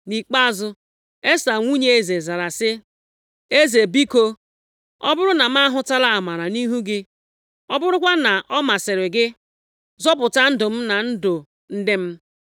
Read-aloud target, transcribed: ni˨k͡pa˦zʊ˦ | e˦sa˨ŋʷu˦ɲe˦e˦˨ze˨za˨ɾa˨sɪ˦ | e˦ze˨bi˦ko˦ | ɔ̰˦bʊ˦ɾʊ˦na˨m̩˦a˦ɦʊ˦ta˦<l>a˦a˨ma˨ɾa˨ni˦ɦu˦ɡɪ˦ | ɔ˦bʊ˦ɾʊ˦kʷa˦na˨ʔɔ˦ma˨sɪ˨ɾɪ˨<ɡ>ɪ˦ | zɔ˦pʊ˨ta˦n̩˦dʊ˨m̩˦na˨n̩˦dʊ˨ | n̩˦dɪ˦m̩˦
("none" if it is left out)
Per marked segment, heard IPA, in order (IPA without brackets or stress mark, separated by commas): l, ɡ